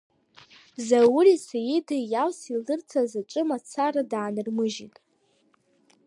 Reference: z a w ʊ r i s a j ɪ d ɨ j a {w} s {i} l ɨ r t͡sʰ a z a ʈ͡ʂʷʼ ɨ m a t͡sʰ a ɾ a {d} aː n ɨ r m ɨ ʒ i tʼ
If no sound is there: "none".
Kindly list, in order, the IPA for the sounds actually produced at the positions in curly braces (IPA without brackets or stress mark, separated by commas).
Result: w, i, d